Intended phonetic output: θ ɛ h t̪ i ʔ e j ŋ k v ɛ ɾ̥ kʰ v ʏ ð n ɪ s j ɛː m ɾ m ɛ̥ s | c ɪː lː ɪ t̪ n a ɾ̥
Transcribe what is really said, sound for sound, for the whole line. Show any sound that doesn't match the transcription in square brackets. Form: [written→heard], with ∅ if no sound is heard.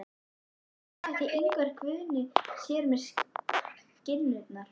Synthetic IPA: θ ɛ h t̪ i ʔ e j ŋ k v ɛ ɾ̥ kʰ v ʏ ð n ɪ s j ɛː [m→∅] ɾ m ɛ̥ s | c [ɪː→ɪ] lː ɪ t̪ n a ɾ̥